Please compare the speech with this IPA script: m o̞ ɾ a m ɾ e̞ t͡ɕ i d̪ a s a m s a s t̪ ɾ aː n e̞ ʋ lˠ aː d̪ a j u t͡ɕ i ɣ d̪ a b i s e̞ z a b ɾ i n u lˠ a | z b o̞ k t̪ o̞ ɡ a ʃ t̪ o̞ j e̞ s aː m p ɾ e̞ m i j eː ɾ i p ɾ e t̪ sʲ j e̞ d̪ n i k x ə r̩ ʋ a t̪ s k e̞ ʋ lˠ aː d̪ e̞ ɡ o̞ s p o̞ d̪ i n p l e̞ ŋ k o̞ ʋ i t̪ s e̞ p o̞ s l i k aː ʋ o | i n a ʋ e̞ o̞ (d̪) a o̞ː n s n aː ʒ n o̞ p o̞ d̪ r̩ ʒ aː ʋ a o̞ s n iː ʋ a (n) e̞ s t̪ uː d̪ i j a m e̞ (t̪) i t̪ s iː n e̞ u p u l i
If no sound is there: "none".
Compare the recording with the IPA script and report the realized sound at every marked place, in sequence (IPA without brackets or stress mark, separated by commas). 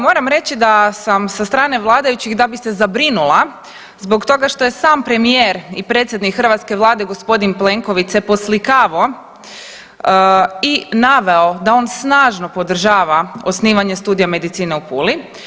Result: d̪, ɲ, d̪